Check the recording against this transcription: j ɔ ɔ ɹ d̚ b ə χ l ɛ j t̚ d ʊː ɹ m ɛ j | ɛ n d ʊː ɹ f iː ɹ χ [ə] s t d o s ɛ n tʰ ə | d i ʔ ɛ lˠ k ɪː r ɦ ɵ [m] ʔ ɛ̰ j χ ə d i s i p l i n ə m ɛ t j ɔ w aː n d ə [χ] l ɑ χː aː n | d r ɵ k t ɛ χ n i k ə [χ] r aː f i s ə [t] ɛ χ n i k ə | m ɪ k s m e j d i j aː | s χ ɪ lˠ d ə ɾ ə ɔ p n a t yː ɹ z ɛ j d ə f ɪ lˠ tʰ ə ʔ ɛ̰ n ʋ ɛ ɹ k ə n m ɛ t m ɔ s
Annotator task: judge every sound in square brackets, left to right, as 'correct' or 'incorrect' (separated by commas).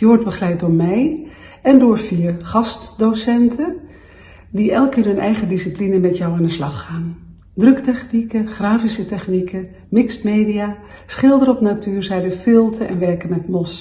incorrect, incorrect, incorrect, correct, correct